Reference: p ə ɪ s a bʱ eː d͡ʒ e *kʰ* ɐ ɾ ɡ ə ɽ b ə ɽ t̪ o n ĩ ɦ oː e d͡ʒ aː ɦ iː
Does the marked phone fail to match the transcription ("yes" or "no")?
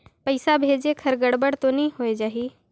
no